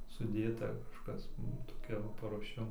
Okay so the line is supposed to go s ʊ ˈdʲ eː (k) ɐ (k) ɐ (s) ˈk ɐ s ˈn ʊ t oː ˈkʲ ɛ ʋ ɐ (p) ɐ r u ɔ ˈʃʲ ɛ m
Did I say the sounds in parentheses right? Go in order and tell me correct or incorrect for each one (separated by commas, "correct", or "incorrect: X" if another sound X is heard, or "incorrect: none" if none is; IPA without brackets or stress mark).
incorrect: t, correct, incorrect: ʃ, correct